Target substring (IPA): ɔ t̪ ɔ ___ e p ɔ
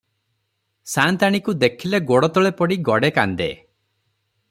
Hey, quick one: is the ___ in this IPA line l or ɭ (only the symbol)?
ɭ